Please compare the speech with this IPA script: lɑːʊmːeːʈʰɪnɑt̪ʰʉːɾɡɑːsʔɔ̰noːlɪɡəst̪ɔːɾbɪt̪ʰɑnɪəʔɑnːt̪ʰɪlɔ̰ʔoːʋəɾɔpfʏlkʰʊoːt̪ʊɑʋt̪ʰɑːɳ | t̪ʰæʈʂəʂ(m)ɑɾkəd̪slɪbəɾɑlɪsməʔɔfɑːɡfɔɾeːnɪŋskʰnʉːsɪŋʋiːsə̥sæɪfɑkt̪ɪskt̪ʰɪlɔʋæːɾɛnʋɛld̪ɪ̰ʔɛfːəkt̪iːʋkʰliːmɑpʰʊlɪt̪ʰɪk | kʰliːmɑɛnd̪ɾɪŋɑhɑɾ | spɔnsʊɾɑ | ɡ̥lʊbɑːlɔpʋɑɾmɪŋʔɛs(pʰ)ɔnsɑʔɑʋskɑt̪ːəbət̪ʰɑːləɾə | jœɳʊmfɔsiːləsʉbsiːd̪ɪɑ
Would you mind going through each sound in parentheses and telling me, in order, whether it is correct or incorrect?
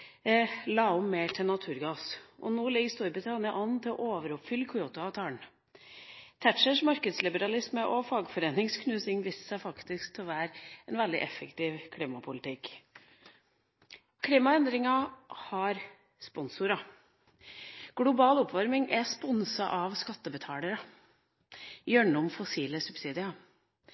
correct, incorrect

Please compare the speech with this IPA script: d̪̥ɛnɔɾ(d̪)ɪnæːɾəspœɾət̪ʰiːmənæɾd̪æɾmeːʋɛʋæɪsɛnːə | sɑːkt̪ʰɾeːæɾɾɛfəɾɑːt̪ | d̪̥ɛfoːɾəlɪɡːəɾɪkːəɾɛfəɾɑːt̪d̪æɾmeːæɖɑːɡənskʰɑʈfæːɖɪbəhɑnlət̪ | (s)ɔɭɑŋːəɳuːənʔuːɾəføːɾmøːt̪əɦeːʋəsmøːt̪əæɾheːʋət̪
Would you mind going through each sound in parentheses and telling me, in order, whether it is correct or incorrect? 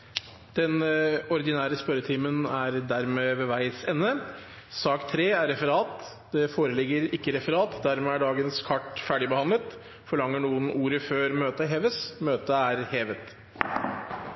correct, incorrect

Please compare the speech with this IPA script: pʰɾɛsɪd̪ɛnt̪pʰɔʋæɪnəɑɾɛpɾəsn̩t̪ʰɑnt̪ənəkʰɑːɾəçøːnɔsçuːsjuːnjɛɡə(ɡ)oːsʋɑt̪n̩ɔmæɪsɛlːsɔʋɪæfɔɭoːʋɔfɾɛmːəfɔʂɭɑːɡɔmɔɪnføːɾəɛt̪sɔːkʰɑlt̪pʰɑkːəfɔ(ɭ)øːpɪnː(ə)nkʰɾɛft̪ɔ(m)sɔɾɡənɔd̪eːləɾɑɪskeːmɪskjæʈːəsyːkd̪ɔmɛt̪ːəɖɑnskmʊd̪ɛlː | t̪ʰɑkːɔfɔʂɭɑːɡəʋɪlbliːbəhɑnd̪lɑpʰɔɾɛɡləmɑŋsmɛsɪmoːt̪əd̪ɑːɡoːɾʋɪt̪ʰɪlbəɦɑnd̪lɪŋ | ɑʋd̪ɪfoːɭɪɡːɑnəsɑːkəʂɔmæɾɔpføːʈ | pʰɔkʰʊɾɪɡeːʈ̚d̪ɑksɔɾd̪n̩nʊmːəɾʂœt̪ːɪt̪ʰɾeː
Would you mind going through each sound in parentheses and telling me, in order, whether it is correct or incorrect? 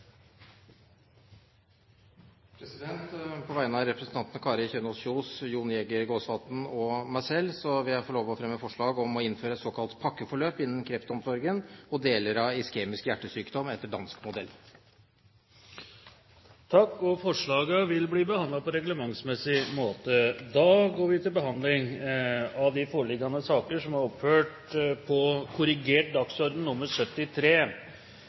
correct, correct, correct, correct

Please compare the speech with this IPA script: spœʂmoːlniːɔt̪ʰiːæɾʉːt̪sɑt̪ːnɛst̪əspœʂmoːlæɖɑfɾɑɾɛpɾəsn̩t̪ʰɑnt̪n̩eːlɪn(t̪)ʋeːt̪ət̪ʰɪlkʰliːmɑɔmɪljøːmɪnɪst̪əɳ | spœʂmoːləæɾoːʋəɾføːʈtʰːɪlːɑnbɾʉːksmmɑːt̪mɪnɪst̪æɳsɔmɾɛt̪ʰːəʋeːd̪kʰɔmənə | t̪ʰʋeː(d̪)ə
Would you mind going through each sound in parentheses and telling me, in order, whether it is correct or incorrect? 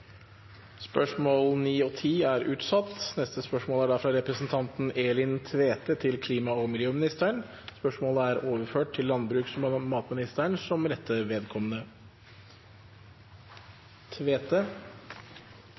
incorrect, incorrect

